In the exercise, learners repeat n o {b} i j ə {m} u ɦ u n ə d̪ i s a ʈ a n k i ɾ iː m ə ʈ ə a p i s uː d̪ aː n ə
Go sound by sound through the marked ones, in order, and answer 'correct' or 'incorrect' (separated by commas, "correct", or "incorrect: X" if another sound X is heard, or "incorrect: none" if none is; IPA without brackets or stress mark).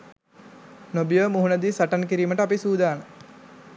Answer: correct, correct